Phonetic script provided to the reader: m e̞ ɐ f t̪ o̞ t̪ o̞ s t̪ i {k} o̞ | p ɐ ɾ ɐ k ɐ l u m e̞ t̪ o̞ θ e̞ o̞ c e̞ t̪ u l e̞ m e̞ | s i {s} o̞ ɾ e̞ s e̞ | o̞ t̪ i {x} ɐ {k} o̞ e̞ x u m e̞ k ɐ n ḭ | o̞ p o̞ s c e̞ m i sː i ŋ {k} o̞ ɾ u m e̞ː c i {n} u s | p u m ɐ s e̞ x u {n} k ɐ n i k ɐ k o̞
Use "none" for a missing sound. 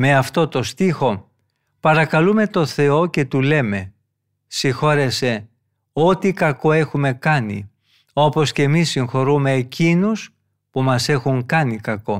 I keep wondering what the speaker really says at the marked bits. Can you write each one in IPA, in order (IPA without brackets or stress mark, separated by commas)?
x, x, k, k, x, n, ŋ